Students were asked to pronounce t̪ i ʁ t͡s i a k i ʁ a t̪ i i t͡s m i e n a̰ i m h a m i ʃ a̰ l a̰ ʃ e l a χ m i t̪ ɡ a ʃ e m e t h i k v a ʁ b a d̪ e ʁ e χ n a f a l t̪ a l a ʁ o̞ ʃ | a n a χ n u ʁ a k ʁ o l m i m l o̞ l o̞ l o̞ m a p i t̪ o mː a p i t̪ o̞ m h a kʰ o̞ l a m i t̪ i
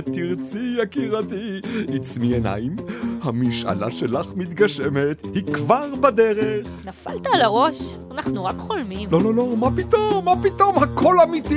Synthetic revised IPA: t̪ i ʁ t͡s i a k i ʁ a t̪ i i t͡s m i e n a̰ i m h a m i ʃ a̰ l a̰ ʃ e l a χ m i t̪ ɡ a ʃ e m e t h i k v a ʁ b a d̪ e ʁ e χ n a f a l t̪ a l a ʁ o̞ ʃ | a n a χ n u ʁ a k χ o l m i m l o̞ l o̞ l o̞ m a p i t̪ o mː a p i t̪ o̞ m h a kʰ o̞ l a m i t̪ i